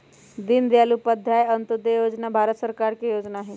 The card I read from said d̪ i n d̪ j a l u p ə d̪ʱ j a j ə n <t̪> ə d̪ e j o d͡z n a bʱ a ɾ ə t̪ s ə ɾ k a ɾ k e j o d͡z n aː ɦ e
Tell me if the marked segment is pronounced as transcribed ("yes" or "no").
yes